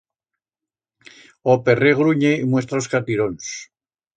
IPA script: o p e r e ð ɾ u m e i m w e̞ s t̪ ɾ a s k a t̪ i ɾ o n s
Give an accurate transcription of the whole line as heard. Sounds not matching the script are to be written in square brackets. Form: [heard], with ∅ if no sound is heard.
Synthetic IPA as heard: o p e r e [ɣ] ɾ u [ɲ] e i m w e̞ s t̪ ɾ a s k a t̪ i ɾ o n s